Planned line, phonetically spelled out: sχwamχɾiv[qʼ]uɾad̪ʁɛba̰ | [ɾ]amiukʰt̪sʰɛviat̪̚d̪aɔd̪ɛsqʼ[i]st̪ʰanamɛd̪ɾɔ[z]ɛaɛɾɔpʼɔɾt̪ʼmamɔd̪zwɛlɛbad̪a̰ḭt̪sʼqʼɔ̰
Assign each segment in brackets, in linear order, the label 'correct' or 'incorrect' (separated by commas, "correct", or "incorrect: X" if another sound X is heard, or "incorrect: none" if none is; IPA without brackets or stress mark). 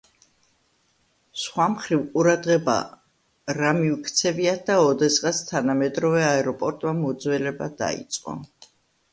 correct, correct, incorrect: a, incorrect: v